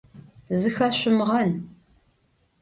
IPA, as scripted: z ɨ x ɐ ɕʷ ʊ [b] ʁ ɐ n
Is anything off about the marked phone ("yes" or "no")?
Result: yes